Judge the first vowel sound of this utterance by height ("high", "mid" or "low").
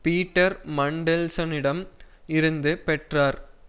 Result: high